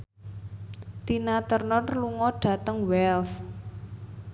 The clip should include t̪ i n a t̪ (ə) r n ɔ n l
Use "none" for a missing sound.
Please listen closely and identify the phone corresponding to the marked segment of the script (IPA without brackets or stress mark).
ə